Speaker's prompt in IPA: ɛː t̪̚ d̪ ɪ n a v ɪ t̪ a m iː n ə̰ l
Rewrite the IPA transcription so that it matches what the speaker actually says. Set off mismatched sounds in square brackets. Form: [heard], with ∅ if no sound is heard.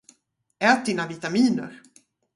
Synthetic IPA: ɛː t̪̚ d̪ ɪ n a v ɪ t̪ a m iː n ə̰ [ɾ]